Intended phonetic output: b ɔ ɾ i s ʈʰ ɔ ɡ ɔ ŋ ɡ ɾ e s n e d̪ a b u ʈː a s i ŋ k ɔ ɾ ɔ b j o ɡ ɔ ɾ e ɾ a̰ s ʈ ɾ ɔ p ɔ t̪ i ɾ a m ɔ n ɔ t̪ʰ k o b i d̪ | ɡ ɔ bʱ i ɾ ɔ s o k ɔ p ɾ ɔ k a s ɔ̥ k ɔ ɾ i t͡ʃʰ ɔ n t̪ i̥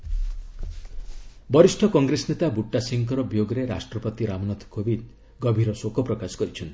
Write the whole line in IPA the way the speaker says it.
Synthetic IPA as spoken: b ɔ ɾ i s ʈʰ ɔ k ɔ ŋ ɡ ɾ e s n e t̪ a b u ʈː a s i ŋ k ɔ ɾ ɔ b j o ɡ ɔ ɾ e ɾ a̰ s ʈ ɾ ɔ p ɔ t̪ i ɾ a m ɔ n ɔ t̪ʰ k o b i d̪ | ɡ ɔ bʱ i ɾ ɔ s o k ɔ p ɾ ɔ k a s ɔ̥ k ɔ ɾ i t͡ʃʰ ɔ n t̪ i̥